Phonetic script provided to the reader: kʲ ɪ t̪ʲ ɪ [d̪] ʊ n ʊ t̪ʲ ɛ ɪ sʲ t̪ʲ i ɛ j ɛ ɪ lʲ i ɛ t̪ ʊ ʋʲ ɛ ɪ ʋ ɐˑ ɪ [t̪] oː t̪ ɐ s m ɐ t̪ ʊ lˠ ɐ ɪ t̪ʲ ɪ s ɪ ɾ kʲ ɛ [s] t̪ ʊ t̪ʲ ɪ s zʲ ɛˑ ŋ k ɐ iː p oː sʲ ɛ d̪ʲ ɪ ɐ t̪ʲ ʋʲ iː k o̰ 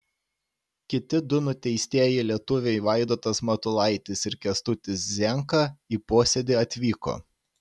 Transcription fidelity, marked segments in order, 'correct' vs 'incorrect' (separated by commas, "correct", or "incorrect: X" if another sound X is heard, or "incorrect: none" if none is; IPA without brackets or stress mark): correct, incorrect: d̪, correct